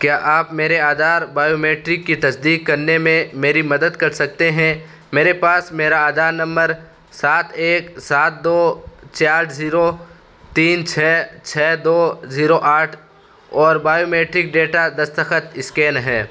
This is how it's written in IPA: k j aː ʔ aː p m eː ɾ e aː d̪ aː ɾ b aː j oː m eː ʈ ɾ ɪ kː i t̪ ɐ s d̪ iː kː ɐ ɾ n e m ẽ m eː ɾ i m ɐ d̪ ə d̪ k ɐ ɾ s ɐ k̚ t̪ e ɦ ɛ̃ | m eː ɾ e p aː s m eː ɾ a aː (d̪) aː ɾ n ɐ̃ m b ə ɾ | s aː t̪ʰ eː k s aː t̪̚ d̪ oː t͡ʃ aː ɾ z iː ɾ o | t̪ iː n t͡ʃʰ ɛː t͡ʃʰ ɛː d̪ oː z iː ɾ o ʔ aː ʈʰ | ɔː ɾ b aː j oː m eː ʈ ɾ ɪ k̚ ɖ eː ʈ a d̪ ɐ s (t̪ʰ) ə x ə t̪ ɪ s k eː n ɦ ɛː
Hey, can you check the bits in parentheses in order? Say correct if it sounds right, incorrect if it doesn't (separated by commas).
correct, incorrect